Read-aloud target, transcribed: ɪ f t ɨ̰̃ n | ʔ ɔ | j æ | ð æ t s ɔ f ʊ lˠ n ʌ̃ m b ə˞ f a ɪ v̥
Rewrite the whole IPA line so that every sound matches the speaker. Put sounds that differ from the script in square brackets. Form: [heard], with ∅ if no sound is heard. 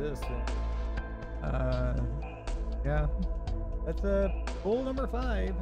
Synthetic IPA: ɪ [s] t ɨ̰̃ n | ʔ [ʌ] | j æ | ð æ t s [ʌ] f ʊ lˠ n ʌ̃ m b ə˞ f a ɪ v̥